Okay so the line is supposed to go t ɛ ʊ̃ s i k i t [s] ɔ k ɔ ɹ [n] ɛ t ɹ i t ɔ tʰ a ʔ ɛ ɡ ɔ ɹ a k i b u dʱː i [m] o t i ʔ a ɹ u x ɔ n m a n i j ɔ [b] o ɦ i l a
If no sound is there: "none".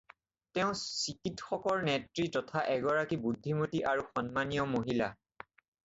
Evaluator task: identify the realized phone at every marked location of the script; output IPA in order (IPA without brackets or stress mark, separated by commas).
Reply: x, n, m, m